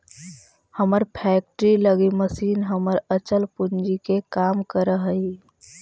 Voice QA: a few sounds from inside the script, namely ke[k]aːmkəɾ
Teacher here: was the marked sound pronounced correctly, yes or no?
yes